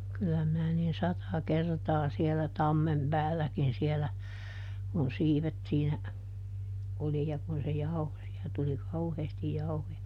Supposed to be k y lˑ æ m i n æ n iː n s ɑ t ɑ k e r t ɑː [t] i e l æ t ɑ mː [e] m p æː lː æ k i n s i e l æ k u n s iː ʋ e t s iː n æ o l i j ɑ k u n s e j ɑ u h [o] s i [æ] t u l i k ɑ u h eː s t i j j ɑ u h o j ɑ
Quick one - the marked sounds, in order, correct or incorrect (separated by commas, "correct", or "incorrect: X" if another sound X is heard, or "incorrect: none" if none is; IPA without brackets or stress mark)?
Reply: incorrect: s, correct, correct, correct